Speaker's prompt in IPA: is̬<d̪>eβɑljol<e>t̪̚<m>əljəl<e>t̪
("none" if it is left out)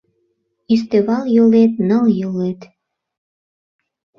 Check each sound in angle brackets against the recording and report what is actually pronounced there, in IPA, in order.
t̪, e, n, e

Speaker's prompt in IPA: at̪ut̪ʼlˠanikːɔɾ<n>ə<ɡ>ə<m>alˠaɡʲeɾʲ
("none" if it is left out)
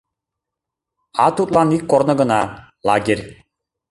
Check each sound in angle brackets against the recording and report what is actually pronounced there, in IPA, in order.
n, ɡ, n

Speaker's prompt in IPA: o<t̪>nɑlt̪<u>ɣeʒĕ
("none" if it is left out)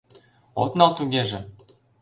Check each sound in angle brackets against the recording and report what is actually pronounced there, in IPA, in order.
t̪, u

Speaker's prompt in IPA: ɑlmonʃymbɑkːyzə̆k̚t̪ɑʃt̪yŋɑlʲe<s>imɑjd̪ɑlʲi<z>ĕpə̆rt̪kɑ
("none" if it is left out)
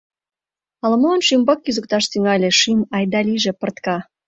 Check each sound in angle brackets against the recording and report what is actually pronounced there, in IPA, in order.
ʃ, ʒ

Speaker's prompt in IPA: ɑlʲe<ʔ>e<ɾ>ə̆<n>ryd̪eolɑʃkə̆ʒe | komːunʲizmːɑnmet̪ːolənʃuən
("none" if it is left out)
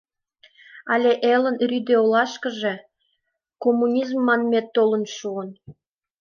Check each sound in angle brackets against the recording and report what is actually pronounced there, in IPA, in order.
ʔ, l, n

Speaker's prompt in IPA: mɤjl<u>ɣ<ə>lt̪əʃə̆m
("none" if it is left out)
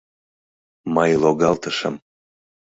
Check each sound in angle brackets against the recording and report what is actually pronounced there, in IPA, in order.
o, ɑ

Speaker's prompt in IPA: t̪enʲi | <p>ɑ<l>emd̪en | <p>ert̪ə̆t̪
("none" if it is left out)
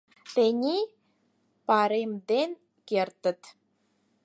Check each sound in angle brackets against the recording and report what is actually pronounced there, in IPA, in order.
p, ɾ, k

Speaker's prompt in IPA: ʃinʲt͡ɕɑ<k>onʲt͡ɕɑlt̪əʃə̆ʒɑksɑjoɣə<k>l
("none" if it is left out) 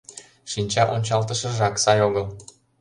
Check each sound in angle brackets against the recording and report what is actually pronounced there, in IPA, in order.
ʔ, none

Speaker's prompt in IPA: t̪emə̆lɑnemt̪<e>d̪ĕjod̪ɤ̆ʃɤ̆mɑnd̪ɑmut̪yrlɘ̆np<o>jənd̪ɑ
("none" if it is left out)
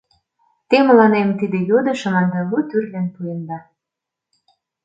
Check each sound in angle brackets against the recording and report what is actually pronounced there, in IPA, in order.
i, u

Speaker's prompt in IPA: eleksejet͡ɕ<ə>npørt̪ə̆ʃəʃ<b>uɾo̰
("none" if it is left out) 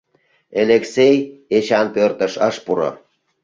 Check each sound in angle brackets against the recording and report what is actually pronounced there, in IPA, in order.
ɑ, p

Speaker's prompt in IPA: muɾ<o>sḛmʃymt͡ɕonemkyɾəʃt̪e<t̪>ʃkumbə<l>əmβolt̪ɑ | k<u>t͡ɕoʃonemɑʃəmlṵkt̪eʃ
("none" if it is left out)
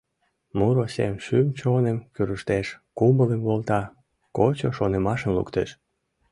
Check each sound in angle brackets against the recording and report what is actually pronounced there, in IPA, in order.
o, none, l, o

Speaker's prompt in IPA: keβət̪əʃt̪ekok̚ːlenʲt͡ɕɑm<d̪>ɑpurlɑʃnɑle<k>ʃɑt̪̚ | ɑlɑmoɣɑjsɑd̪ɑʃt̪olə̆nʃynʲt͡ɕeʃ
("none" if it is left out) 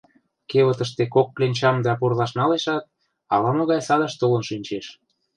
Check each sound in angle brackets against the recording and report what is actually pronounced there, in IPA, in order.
d̪, none

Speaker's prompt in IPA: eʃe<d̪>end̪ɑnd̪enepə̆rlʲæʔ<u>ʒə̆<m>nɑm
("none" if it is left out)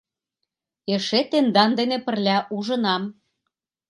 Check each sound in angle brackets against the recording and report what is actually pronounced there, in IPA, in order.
t̪, u, none

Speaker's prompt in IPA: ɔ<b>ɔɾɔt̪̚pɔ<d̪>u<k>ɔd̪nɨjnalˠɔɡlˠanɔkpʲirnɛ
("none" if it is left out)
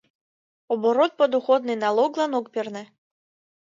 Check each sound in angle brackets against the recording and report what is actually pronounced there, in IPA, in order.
b, d̪, x

